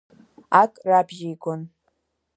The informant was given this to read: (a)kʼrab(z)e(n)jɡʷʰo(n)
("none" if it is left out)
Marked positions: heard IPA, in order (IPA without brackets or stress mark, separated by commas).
a, ʒ, none, n